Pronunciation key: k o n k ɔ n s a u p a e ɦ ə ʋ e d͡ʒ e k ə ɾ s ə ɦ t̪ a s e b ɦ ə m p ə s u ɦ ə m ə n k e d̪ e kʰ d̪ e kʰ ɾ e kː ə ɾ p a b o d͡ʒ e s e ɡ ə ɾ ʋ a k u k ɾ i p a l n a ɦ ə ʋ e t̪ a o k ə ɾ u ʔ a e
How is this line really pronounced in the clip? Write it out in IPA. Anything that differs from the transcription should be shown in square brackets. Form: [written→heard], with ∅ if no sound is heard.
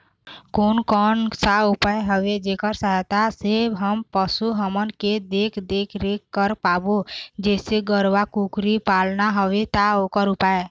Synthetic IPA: k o n k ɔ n s a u p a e ɦ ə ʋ e d͡ʒ e k ə ɾ s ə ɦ t̪ a s e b ɦ ə m p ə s u ɦ ə m ə n k e d̪ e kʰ d̪ e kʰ ɾ e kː ə ɾ p a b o d͡ʒ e s e ɡ ə ɾ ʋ a k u k ɾ i p a l n a ɦ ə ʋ e t̪ a o k ə ɾ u [ʔ→p] a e